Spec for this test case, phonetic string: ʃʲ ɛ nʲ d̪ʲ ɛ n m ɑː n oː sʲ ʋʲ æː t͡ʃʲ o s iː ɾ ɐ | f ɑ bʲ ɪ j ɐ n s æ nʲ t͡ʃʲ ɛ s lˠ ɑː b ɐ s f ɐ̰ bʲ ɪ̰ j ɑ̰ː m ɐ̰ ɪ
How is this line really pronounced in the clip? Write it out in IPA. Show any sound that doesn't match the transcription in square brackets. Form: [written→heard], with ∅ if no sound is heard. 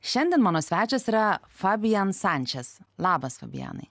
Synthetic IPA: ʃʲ ɛ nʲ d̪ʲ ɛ n m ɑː n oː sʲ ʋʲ æː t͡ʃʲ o s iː ɾ ɐ | f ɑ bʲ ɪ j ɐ n s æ nʲ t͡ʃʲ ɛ s lˠ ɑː b ɐ s f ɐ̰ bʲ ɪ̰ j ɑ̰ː [m→n] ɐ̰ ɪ